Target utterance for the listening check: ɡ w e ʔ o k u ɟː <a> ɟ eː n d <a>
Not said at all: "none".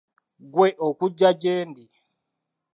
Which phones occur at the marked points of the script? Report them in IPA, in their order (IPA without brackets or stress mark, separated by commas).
a, i